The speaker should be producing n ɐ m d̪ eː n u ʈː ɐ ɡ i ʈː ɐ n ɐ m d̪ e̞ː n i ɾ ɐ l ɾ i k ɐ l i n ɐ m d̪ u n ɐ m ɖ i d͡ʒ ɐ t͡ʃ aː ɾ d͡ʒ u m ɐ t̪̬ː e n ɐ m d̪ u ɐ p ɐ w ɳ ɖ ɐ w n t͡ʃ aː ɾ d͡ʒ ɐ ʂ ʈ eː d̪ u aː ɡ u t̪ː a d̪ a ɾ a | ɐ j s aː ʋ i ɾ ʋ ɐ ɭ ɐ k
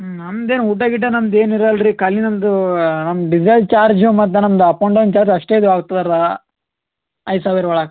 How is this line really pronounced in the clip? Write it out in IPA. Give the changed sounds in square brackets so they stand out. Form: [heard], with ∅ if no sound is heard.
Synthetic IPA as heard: n ɐ m d̪ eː n u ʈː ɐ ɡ i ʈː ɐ n ɐ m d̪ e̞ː n i ɾ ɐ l ɾ i k ɐ l i n ɐ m d̪ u n ɐ m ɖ i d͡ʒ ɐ t͡ʃ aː ɾ d͡ʒ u m ɐ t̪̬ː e n ɐ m d̪ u ɐ p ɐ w ɳ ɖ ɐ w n t͡ʃ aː ɾ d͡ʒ ɐ ʂ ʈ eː d̪ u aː ɡ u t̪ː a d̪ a ɾ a | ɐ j s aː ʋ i ɾ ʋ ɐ ɭ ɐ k